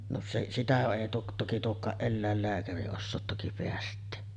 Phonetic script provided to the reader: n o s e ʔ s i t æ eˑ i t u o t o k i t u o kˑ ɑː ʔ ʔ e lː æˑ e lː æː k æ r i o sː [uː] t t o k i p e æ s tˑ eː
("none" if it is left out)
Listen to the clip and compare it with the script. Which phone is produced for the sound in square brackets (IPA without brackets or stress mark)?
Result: oː